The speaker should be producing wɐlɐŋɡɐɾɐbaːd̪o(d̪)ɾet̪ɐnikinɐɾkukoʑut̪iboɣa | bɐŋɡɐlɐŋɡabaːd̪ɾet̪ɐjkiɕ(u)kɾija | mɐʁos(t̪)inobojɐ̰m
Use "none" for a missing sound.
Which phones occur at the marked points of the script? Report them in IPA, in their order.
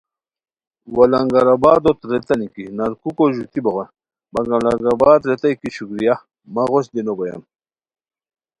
t̪, u, d̪

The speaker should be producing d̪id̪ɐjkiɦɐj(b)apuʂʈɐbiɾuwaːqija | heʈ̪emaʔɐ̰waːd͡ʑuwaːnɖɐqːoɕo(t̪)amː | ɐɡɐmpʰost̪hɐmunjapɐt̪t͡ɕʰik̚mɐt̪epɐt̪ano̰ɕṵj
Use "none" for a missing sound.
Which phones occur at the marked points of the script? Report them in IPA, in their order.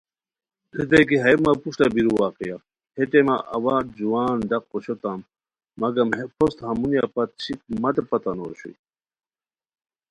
m, t̪

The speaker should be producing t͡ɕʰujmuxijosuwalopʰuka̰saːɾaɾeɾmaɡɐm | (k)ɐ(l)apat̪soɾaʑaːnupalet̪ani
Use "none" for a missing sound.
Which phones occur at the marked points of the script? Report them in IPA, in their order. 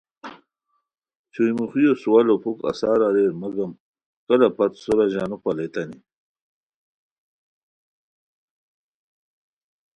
k, l

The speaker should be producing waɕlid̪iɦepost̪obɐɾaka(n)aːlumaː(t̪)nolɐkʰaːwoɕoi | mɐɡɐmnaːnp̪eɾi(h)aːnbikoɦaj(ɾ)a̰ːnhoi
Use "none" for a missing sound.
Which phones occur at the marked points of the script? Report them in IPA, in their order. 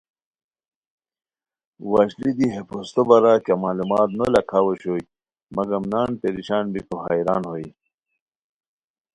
m, t̪, ɕ, ɾ

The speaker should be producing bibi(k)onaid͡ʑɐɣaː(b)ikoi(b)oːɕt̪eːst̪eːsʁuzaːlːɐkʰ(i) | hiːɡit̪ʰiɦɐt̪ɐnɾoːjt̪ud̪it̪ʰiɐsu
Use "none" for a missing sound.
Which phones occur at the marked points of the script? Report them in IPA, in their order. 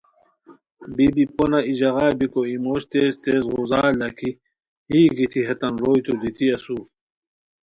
p, b, m, i

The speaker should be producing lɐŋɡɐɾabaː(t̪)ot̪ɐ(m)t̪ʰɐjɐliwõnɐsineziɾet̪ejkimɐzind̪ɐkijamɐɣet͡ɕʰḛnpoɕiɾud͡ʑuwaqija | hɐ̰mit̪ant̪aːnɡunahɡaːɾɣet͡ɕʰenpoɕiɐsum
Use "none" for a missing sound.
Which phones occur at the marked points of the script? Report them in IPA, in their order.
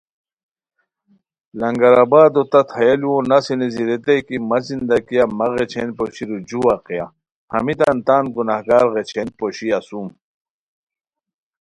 d̪, none

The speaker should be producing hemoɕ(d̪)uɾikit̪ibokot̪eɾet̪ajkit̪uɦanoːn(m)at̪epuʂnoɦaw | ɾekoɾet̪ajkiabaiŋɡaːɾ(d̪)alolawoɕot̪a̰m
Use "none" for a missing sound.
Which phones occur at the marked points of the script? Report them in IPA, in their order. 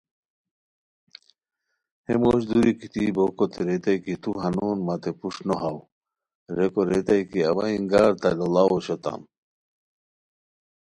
d̪, m, t̪

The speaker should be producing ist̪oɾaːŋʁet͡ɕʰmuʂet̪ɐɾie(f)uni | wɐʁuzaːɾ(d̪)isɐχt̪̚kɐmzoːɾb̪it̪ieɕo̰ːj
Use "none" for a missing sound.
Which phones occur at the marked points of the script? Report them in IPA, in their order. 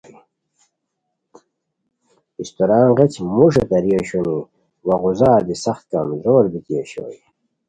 ɕ, d̪

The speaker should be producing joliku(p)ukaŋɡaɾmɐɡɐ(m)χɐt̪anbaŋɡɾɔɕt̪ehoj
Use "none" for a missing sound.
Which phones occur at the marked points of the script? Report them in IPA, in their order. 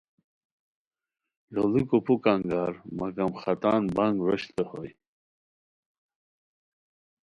p, m

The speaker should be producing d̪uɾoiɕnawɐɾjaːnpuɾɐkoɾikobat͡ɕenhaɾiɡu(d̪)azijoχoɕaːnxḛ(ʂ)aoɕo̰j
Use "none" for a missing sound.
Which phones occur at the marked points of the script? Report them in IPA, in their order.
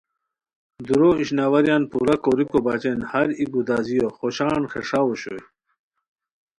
d̪, ʂ

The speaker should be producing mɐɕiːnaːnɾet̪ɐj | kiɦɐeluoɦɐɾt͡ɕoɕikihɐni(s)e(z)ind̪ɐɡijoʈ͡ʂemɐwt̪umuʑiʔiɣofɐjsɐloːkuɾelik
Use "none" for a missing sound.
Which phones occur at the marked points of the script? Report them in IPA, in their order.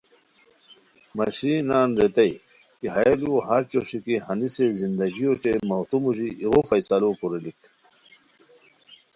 s, z

